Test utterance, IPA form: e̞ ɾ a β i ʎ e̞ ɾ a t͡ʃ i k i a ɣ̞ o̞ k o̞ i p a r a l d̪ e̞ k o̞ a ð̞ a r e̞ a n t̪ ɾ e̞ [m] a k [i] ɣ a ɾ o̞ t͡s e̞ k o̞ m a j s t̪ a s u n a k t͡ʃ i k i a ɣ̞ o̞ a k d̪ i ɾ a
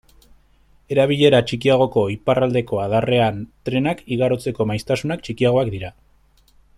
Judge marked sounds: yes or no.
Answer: no, yes

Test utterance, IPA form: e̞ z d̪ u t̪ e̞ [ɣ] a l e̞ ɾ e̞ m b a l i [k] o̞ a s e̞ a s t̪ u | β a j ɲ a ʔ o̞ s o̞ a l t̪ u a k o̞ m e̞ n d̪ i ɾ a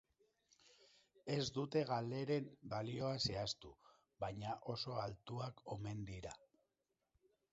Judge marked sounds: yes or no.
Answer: yes, no

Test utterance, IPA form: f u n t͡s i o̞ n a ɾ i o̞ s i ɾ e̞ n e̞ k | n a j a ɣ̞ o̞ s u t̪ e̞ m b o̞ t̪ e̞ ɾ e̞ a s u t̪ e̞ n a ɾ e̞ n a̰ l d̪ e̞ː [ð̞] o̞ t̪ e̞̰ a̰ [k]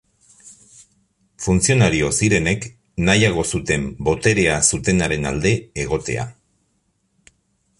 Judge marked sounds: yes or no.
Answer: no, no

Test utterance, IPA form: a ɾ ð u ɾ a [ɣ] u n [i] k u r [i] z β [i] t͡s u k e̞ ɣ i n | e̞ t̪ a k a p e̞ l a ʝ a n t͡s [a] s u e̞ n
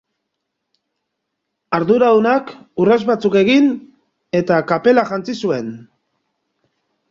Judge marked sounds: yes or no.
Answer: no, no, no, no, no

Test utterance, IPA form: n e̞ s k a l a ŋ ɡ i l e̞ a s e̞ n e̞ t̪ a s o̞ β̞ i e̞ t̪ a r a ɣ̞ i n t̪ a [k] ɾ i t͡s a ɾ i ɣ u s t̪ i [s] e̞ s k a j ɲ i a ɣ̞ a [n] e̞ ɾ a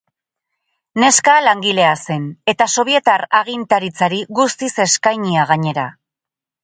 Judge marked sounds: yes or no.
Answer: no, yes, no

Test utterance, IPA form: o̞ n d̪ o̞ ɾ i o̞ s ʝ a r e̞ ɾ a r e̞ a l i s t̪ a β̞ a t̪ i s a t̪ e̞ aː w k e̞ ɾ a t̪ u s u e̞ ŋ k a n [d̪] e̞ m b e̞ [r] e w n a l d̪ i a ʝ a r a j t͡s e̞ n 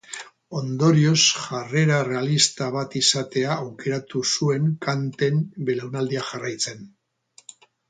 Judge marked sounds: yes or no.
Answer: no, no

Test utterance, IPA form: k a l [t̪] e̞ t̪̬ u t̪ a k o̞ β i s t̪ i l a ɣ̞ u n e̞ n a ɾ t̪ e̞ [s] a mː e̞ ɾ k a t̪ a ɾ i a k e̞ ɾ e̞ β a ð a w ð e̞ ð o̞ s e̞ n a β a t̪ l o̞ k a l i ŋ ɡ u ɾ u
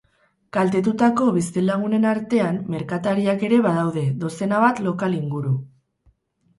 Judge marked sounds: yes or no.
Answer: yes, no

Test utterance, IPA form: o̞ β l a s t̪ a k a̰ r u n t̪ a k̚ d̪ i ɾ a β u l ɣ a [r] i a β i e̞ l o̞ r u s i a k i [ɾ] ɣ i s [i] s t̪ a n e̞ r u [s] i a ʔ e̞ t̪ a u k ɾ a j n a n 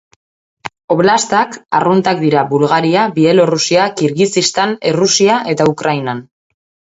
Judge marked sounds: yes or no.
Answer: no, yes, yes, yes

